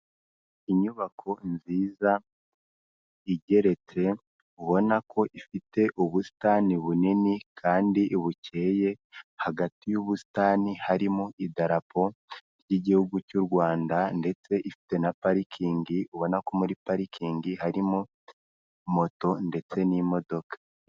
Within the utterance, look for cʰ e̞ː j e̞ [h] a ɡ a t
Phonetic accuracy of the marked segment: correct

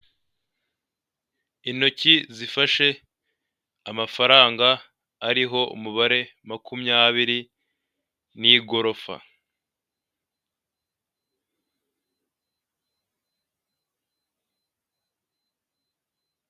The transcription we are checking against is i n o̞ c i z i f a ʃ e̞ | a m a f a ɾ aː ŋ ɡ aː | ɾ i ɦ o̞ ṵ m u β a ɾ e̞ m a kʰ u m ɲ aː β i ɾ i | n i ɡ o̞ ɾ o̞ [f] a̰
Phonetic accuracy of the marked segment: correct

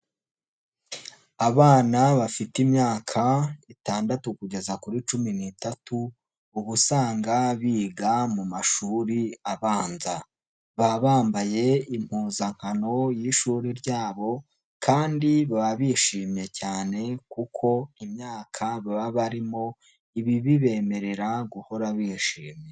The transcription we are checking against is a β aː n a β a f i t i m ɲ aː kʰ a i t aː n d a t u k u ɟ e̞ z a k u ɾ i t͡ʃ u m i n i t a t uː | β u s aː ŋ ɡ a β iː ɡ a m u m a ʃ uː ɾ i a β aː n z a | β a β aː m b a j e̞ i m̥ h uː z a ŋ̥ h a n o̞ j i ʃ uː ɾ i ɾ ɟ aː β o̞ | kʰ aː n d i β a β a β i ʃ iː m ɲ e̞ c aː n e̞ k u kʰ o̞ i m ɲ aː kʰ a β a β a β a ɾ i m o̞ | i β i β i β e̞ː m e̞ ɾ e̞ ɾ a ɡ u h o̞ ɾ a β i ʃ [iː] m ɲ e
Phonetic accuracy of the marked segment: correct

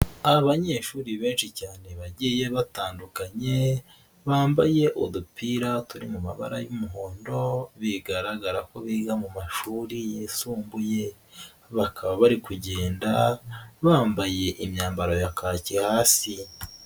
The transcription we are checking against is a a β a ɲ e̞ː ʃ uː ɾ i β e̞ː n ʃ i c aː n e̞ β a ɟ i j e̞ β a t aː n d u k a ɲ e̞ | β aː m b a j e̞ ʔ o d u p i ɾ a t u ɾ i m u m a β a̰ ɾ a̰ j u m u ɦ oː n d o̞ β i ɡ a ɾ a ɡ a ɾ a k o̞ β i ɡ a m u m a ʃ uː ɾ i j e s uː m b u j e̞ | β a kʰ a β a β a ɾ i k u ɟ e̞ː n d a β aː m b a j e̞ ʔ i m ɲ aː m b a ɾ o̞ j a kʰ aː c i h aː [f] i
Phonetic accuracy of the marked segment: incorrect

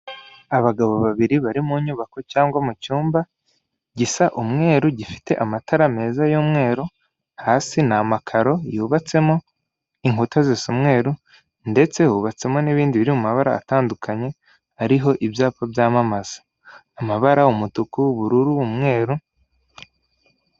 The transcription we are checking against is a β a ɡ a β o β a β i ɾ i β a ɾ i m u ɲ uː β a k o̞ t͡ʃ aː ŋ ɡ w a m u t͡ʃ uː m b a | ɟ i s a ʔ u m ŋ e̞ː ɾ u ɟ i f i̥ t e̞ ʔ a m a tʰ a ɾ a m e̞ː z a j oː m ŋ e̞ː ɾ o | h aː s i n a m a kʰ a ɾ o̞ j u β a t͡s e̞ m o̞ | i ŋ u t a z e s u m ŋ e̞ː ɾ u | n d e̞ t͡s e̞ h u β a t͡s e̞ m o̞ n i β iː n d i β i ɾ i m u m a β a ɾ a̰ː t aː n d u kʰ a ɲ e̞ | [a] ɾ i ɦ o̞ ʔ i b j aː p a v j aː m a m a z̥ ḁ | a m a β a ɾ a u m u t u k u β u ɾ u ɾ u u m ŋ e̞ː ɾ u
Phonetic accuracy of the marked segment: correct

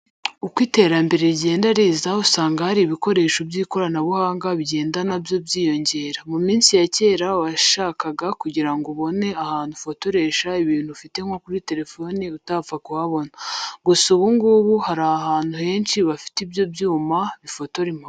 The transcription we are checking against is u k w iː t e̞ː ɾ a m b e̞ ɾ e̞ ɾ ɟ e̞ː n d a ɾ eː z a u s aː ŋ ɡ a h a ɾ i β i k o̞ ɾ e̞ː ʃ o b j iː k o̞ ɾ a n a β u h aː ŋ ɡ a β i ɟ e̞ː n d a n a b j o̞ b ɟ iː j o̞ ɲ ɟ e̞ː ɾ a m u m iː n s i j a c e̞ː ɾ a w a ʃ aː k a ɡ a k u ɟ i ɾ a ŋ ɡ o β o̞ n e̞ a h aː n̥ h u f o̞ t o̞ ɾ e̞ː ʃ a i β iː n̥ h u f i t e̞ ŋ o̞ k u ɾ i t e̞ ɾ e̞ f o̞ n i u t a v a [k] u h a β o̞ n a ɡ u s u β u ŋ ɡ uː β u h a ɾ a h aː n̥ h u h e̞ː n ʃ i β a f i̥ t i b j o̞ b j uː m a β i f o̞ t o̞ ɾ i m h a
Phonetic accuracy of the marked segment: correct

